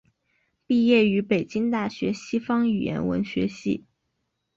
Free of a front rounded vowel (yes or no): no